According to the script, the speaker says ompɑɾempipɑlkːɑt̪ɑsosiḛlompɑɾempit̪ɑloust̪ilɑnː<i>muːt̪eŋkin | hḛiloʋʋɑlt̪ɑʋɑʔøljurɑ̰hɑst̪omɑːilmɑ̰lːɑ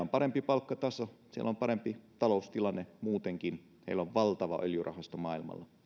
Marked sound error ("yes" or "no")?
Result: yes